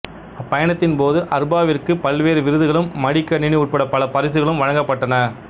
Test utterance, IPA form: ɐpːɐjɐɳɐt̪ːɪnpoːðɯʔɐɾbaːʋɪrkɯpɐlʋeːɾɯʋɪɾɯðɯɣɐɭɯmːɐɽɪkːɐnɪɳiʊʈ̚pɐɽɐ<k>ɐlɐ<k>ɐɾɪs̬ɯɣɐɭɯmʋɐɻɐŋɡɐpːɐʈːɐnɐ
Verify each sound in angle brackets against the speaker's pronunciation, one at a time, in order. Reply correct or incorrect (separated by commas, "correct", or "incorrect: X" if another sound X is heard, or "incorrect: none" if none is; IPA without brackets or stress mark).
incorrect: p, incorrect: p